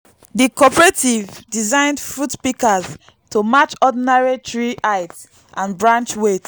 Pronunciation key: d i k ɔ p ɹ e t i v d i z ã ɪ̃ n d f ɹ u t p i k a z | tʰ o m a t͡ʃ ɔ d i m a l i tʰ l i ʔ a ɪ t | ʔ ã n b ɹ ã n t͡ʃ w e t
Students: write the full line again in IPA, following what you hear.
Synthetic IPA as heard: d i k ɔ p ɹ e t i v d i z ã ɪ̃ n d f ɹ u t p i k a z | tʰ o m a t͡ʃ ɔ d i n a ɹ i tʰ ɹ i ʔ a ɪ t | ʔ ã n b ɹ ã n t͡ʃ w e t